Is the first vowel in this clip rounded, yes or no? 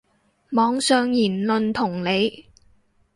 yes